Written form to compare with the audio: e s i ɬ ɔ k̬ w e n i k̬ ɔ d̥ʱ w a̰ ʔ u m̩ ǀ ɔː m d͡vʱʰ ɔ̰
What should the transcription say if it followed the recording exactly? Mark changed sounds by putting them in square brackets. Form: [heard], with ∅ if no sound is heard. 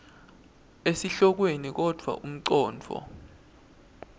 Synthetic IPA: e s i ɬ ɔ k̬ w e n i k̬ ɔ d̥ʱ w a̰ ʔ u m̩ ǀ ɔː [n] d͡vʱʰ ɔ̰